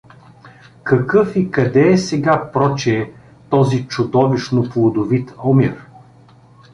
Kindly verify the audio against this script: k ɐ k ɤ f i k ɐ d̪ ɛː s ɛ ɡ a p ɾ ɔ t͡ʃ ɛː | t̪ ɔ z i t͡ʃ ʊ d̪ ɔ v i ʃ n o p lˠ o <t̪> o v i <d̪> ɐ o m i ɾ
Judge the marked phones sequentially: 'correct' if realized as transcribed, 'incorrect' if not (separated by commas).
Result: incorrect, incorrect